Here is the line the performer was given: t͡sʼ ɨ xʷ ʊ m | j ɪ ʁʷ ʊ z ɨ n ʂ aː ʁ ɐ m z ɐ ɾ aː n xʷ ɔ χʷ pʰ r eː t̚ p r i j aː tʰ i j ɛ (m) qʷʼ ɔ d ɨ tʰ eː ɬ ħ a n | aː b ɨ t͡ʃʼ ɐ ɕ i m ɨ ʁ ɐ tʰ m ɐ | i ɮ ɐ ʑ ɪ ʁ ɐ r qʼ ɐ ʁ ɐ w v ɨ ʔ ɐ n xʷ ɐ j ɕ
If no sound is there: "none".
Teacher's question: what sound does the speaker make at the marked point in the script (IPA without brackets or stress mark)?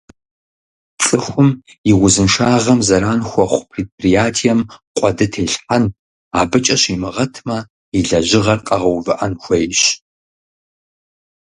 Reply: m